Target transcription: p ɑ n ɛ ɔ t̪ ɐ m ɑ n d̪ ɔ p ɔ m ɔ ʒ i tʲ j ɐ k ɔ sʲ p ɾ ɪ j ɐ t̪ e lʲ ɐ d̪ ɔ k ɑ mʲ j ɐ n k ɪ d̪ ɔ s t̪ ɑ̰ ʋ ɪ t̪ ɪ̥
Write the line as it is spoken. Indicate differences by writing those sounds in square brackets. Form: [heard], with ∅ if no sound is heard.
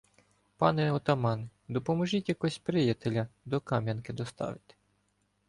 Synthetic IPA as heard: p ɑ n ɛ ɔ t̪ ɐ m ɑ n d̪ ɔ p ɔ m ɔ ʒ i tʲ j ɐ k ɔ sʲ p ɾ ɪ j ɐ t̪ e lʲ ɐ d̪ ɔ k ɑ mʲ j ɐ n k ɪ d̪ ɔ s t̪ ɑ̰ ʋ ɪ t̪ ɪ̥